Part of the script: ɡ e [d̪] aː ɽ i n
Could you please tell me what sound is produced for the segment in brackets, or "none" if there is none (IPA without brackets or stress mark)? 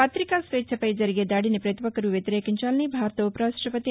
d̪